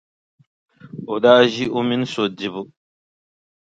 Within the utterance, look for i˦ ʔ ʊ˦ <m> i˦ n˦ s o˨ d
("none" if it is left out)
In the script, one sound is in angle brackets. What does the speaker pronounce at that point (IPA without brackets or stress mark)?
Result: m